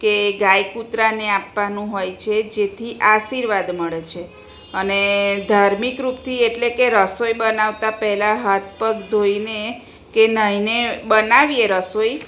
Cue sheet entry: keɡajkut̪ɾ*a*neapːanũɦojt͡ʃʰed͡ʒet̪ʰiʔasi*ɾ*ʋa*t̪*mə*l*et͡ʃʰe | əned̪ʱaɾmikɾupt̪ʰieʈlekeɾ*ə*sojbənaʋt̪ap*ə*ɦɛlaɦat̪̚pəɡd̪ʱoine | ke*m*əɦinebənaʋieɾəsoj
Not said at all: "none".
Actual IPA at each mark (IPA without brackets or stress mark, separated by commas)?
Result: a, ɾ, d̪, ɭ, ə, ə, n